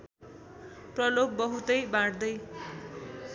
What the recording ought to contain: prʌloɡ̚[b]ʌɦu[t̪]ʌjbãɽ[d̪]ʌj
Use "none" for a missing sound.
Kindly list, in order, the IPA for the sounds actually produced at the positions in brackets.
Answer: b, t̪, d̪

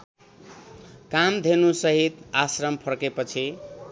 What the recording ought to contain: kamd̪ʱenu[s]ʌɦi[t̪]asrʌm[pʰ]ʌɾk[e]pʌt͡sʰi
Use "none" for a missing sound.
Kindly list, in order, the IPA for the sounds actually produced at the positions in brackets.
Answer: s, t̪, pʰ, e

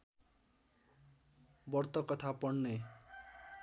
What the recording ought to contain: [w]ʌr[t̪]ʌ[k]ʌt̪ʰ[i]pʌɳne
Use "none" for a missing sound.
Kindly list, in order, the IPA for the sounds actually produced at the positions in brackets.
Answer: b, t̪, k, a

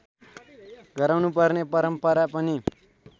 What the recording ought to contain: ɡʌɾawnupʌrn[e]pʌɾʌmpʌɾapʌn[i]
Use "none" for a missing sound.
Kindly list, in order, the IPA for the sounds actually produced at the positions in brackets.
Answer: e, i

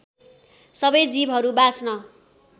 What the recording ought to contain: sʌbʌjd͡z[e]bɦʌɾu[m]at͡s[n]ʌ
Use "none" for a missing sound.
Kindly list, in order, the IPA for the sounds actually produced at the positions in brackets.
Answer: i, b, n

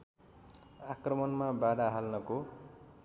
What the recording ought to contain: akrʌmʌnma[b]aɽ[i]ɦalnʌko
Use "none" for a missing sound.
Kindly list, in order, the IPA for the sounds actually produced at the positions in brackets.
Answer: b, a

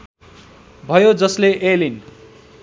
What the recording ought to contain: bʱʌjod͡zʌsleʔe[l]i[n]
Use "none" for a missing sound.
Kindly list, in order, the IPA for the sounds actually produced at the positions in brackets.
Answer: l, n

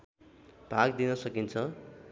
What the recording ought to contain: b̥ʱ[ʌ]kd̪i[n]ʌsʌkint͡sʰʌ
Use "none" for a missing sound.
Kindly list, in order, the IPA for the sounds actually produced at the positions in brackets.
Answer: a, n

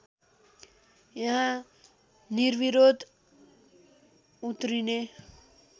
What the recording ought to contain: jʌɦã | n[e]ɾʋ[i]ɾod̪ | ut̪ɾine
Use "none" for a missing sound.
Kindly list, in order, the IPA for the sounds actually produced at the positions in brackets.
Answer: i, i

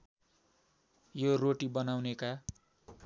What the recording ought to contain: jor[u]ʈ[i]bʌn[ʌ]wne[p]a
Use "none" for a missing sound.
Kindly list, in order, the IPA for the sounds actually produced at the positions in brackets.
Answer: o, i, a, k

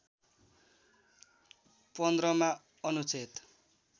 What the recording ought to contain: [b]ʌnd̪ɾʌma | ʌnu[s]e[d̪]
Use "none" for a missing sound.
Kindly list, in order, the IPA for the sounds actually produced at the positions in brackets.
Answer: p, t͡s, t̪

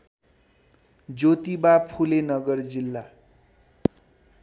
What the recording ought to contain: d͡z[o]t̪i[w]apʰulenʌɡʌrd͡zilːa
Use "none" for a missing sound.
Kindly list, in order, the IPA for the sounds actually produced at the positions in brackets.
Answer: o, b

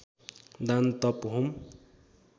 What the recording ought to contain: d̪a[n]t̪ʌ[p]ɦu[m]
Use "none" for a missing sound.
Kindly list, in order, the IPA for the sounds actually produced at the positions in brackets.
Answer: n, p, m

